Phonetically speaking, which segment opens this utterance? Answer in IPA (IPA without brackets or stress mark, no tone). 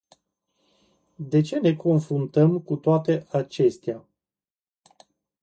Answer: d̪